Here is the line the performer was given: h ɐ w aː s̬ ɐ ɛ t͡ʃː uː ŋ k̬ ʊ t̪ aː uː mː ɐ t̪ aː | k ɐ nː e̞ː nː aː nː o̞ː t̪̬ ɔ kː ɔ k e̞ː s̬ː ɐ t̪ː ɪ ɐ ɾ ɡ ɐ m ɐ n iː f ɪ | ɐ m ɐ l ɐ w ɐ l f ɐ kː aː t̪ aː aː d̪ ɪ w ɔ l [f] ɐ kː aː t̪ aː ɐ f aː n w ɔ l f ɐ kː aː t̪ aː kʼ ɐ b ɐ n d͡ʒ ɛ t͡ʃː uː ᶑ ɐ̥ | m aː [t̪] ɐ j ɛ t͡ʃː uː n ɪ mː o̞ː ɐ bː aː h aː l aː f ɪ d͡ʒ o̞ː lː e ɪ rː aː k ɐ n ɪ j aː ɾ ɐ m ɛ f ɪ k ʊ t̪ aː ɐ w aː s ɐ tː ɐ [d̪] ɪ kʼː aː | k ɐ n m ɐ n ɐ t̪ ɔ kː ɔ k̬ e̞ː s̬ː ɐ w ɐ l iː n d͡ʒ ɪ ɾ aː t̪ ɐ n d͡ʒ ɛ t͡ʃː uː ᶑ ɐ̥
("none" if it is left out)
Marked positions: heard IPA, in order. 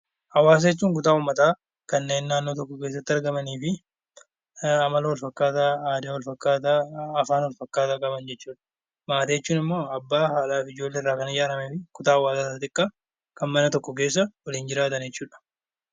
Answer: f, t̪, t̪

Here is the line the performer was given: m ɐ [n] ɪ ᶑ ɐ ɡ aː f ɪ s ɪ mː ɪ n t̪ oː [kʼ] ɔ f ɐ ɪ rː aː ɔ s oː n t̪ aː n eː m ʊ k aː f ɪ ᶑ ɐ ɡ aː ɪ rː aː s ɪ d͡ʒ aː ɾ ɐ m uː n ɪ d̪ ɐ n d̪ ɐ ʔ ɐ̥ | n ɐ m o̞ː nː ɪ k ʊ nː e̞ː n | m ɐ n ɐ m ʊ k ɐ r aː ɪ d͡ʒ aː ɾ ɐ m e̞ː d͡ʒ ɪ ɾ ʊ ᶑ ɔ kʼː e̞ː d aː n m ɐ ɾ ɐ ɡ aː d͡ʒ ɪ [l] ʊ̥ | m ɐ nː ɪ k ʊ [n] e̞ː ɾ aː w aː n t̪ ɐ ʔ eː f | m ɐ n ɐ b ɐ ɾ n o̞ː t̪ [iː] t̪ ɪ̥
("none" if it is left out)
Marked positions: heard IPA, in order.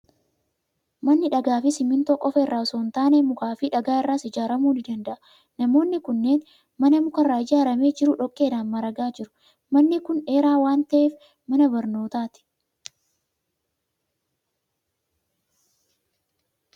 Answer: nː, kʼ, ɾ, n, aː

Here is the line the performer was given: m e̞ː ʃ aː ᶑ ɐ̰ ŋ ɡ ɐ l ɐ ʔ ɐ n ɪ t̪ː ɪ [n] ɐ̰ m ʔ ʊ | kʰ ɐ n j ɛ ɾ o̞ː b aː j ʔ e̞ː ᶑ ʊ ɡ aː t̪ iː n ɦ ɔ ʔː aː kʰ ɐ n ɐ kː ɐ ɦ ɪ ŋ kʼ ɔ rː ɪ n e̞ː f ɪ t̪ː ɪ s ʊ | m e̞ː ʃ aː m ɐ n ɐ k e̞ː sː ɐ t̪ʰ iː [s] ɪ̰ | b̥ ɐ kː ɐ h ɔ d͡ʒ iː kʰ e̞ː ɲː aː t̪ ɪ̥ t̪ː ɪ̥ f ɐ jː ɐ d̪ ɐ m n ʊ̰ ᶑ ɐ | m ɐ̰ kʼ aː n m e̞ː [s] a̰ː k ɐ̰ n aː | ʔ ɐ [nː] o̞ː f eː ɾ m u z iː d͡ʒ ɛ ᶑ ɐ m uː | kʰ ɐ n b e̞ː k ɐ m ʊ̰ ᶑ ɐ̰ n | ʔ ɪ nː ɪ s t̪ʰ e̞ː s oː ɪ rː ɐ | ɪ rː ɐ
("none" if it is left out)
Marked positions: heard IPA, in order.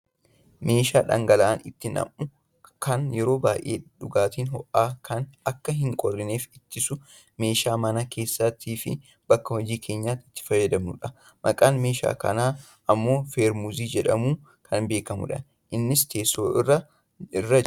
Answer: n, f, ʃ, mː

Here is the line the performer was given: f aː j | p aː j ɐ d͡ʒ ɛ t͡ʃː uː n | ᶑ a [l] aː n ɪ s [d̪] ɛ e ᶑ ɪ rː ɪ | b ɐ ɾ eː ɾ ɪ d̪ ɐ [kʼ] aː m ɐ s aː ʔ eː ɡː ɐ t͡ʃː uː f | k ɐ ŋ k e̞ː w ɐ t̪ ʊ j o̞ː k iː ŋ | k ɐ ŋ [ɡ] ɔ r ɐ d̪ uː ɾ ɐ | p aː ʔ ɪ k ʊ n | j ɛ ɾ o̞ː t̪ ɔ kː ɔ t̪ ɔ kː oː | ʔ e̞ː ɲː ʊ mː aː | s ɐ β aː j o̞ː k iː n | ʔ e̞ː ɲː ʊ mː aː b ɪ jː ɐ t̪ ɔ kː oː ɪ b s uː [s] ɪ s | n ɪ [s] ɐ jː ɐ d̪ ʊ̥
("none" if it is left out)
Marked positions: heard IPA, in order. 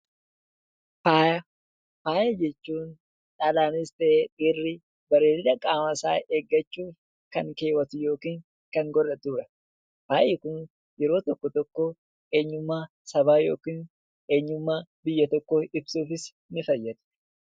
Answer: l, t̪, kʼ, ɡ, f, f

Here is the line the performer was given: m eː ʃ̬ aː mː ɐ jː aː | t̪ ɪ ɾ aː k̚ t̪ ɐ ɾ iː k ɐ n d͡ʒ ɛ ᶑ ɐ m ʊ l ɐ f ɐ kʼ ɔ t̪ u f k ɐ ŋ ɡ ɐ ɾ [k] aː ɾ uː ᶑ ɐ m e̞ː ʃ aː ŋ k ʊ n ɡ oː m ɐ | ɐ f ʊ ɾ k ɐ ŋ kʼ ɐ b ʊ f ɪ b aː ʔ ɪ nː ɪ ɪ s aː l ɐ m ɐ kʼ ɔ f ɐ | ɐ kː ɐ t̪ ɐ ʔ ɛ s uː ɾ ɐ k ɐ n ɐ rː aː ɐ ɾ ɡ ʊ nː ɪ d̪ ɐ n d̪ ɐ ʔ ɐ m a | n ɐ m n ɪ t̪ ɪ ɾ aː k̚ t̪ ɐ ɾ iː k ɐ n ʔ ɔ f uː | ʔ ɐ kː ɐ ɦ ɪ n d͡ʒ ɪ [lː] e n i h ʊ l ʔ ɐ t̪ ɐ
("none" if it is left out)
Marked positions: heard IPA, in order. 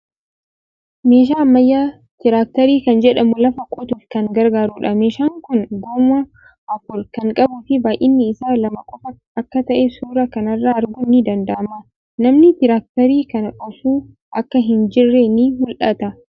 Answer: ɡ, rː

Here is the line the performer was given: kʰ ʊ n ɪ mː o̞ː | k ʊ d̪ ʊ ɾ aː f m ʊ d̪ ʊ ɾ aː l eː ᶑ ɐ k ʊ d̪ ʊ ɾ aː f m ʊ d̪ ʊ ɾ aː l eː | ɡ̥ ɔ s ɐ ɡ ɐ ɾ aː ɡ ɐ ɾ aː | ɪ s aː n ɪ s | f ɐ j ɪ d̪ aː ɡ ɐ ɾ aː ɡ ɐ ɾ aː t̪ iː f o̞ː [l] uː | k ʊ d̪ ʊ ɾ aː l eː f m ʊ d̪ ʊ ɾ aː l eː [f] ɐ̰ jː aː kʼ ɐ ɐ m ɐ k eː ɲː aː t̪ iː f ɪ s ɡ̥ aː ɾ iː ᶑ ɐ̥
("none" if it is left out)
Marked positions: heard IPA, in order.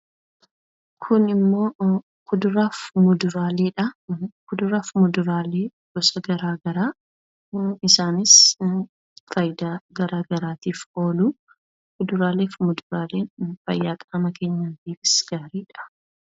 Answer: l, f

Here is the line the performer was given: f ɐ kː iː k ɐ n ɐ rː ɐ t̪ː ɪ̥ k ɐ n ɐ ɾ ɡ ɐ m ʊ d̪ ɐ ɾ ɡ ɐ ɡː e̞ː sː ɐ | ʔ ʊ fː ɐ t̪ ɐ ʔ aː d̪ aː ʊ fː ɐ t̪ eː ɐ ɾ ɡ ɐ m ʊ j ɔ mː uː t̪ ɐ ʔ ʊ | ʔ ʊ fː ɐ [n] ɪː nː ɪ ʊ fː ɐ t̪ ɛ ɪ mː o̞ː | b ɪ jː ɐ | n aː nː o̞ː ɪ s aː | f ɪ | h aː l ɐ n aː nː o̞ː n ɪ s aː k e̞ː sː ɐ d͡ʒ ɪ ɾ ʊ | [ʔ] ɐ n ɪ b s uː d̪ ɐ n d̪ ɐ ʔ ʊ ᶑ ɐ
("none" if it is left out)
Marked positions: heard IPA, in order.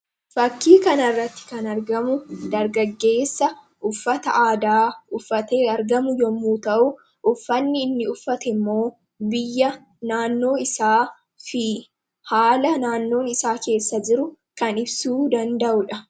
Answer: nː, k

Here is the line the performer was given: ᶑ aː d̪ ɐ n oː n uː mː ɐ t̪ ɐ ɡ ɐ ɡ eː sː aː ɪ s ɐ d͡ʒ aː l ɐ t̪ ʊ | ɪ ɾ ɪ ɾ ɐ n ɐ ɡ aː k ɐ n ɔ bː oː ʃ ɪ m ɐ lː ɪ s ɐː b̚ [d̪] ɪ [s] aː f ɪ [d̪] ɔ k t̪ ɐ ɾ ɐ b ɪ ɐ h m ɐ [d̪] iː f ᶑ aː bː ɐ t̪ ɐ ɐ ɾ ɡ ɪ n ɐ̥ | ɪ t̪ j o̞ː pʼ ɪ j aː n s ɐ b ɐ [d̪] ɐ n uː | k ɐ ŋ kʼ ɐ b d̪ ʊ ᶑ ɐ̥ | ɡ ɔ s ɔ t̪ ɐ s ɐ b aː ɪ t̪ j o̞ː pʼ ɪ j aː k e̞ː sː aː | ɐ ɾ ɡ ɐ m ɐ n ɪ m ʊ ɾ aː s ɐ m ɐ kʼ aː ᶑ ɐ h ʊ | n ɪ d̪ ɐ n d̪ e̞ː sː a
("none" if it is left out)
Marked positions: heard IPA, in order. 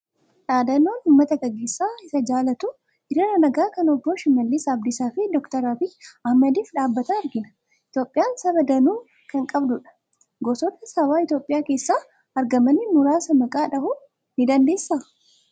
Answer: d̪, s, d̪, d̪, d̪

